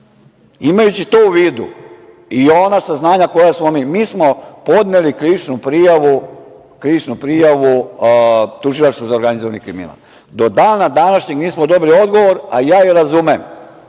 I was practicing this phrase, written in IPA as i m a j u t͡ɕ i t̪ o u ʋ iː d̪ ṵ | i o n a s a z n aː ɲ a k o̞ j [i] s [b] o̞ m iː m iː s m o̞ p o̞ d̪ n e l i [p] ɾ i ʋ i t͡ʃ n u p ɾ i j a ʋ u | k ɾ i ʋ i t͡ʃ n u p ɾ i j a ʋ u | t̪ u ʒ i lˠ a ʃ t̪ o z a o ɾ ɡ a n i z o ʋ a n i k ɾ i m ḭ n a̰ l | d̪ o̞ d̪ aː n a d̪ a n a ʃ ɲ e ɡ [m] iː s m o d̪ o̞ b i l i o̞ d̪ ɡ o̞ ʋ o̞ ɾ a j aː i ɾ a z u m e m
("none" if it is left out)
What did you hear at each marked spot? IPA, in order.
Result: a, m, k, n

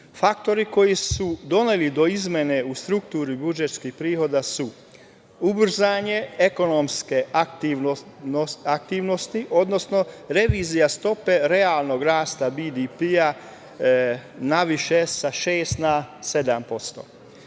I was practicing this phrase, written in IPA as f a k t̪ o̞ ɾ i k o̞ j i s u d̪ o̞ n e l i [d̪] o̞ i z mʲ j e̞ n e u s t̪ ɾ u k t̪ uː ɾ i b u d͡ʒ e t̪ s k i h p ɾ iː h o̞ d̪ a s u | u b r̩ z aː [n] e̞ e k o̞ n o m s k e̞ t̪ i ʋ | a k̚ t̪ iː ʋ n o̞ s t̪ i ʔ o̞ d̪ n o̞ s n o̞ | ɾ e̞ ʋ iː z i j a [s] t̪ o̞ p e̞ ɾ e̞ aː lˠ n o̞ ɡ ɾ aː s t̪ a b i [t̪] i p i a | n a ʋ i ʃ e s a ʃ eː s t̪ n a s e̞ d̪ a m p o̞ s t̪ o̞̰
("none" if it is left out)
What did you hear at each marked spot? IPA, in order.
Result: d̪, ɲ, s, d̪

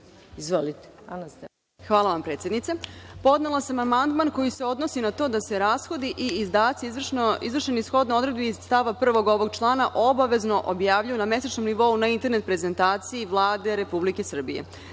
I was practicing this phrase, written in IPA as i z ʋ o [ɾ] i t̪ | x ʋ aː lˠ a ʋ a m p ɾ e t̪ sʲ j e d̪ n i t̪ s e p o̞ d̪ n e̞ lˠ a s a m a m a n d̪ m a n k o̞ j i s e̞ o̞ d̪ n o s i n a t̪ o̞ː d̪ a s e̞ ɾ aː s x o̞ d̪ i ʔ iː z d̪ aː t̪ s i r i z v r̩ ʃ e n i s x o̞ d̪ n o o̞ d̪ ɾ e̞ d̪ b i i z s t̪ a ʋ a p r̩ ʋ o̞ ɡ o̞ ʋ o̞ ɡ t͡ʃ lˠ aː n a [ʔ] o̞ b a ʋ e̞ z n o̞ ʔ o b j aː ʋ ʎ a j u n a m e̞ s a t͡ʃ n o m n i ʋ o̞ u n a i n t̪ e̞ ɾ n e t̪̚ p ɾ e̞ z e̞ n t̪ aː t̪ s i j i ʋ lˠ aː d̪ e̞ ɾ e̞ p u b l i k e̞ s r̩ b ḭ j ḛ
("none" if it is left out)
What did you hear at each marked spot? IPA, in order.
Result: l, ʔ

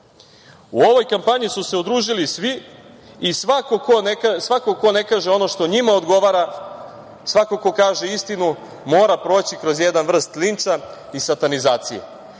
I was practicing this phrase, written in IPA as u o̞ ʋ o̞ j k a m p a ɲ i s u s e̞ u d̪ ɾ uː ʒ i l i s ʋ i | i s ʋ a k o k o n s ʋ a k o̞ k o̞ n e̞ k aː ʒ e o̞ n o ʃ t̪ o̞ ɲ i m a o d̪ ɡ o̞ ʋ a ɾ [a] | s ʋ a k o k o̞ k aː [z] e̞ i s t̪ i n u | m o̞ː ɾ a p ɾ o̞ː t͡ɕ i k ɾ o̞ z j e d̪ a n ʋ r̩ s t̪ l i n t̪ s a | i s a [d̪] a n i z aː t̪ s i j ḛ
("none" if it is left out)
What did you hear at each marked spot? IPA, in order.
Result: a, ʒ, t̪

